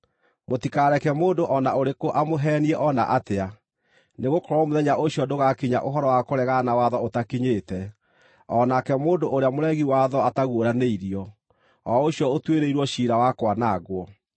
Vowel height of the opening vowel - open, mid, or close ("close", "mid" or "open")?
mid